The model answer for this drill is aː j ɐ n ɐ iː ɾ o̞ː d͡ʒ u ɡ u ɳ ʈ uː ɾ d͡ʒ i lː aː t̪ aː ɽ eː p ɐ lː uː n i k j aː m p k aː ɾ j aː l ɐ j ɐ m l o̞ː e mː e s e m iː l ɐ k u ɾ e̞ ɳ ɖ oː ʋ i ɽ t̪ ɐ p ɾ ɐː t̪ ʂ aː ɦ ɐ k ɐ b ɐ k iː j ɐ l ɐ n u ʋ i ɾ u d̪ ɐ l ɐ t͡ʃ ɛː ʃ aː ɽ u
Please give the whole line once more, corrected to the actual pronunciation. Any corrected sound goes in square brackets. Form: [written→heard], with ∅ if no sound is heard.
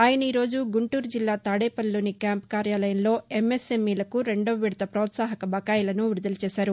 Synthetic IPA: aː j ɐ n ɐ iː ɾ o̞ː d͡ʒ u ɡ u ɳ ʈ uː ɾ d͡ʒ i lː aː t̪ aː ɽ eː p ɐ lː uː n i k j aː m p k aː ɾ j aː l ɐ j ɐ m l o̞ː e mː e s e m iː l ɐ k u ɾ e̞ ɳ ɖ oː ʋ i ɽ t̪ ɐ p ɾ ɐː t̪ [ʂ→s] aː ɦ ɐ k ɐ b ɐ k [iː→aː] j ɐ l ɐ n u ʋ i ɾ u d̪ ɐ l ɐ t͡ʃ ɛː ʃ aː [ɽ→ɾ] u

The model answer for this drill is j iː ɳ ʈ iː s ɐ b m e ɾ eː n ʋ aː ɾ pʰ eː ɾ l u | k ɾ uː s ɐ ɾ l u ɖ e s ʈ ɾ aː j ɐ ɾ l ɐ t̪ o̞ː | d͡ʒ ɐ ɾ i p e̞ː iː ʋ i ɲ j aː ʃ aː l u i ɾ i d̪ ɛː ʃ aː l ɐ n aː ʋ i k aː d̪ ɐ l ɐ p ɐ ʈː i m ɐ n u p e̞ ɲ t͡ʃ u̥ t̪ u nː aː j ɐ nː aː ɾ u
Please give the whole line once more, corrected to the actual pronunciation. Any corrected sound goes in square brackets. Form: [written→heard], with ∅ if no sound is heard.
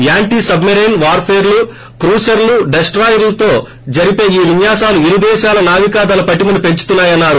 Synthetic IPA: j [iː→aː] ɳ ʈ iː s ɐ b m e ɾ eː n ʋ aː ɾ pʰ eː ɾ l u | k ɾ uː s ɐ ɾ l u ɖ e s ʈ ɾ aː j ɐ ɾ l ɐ t̪ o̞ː | d͡ʒ ɐ ɾ i p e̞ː iː ʋ i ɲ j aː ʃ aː l u i ɾ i d̪ ɛː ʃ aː l ɐ n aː ʋ i k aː d̪ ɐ l ɐ p ɐ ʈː i m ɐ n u p e̞ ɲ t͡ʃ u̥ t̪ u nː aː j ɐ nː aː ɾ u

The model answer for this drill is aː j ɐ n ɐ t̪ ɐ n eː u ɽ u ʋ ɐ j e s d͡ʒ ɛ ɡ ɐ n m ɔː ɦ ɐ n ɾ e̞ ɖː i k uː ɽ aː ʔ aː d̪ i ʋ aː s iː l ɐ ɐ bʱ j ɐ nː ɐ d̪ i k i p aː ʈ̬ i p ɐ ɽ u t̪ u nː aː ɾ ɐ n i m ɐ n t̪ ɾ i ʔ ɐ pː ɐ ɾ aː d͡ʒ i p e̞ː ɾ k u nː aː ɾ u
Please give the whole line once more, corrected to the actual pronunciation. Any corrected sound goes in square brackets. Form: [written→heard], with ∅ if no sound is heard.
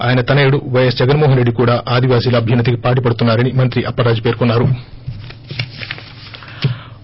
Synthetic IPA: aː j ɐ n ɐ t̪ ɐ n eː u ɽ u ʋ ɐ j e s d͡ʒ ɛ ɡ ɐ n m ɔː ɦ ɐ n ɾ e̞ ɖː i k uː ɽ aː ʔ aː d̪ i ʋ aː s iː l ɐ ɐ bʱ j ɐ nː ɐ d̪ i k i p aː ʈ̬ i p ɐ ɽ u t̪ u nː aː ɾ ɐ n i m ɐ n t̪ ɾ i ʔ ɐ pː ɐ ɾ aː d͡ʒ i p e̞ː ɾ k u nː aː ɾ u

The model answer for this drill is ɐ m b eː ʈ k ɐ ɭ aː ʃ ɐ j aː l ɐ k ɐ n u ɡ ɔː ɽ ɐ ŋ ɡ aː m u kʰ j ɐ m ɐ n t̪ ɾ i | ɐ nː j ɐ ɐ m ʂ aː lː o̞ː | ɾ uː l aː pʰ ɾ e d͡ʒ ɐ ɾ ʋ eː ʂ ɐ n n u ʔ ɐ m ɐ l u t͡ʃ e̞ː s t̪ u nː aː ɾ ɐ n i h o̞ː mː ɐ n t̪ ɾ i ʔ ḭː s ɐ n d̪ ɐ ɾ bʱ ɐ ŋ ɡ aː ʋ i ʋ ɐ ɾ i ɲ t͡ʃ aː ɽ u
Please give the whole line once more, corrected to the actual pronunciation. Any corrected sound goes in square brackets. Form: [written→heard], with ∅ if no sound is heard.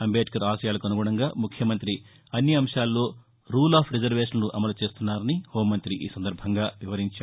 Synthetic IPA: ɐ m b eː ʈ k ɐ [ɭ→ɾ] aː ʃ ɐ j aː l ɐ k ɐ n u ɡ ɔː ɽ ɐ ŋ ɡ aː m u kʰ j ɐ m ɐ n t̪ ɾ i | ɐ nː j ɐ ɐ m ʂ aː lː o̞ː | ɾ uː l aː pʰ ɾ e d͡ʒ ɐ ɾ ʋ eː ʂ ɐ n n u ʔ ɐ m ɐ l u t͡ʃ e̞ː s t̪ u nː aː ɾ ɐ n i h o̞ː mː ɐ n t̪ ɾ i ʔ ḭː s ɐ n d̪ ɐ ɾ bʱ ɐ ŋ ɡ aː ʋ i ʋ ɐ ɾ i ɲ t͡ʃ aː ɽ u

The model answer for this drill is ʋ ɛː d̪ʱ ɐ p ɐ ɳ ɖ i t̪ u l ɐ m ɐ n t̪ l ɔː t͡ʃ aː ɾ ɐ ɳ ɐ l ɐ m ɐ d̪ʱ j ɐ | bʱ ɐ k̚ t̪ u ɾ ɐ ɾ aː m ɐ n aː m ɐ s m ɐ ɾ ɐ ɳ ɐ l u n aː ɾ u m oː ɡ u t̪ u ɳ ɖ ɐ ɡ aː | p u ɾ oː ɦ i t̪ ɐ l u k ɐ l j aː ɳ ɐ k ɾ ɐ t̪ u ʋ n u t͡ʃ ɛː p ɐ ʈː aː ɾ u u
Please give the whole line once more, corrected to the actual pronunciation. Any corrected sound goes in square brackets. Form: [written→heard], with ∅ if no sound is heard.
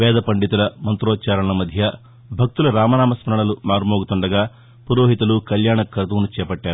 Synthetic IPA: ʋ ɛː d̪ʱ ɐ p ɐ ɳ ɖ i t̪ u l ɐ m ɐ n t̪ [l→ɾ] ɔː t͡ʃ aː ɾ ɐ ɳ ɐ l ɐ m ɐ d̪ʱ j ɐ | bʱ ɐ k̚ t̪ u [ɾ→l] ɐ ɾ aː m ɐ n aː m ɐ s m ɐ ɾ ɐ ɳ ɐ l u [n→m] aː ɾ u m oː ɡ u t̪ u ɳ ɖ ɐ ɡ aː | p u ɾ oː ɦ i t̪ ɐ l u k ɐ l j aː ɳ ɐ k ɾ ɐ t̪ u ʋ n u t͡ʃ ɛː p ɐ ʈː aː ɾ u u

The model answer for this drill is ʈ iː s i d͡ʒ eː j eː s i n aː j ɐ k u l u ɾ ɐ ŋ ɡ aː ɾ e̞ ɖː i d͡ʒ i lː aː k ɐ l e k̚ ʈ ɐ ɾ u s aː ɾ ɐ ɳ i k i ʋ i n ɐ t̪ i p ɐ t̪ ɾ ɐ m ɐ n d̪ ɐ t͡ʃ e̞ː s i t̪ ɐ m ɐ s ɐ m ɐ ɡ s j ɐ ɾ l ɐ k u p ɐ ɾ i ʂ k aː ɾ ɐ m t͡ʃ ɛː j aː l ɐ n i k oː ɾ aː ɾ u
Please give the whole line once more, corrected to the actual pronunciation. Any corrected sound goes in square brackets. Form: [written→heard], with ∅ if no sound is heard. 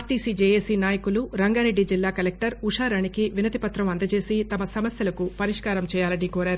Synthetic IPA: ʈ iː s i d͡ʒ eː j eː s i n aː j ɐ k u l u ɾ ɐ ŋ ɡ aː ɾ e̞ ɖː i d͡ʒ i lː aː k ɐ l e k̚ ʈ ɐ ɾ u [s→ʂ] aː ɾ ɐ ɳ i k i ʋ i n ɐ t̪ i p ɐ t̪ ɾ ɐ m ɐ n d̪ ɐ t͡ʃ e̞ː s i t̪ ɐ m ɐ s ɐ m ɐ [ɡ→∅] s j ɐ [ɾ→∅] l ɐ k u p ɐ ɾ i ʂ k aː ɾ ɐ m t͡ʃ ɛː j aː l ɐ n i k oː ɾ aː ɾ u

